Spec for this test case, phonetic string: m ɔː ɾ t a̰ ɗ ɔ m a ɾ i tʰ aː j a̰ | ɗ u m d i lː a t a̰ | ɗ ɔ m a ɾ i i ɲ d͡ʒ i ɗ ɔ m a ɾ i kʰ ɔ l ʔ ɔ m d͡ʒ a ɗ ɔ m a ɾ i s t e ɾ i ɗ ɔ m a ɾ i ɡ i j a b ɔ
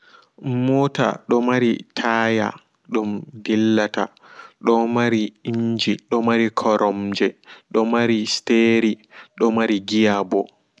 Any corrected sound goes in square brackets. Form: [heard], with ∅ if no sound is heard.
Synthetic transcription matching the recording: m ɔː [∅] t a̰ ɗ ɔ m a ɾ i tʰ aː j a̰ | ɗ u m d i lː a t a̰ | ɗ ɔ m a ɾ i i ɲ d͡ʒ i ɗ ɔ m a ɾ i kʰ ɔ [ɾ] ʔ ɔ m d͡ʒ [ɛ] ɗ ɔ m a ɾ i s t e ɾ i ɗ ɔ m a ɾ i ɡ i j a b ɔ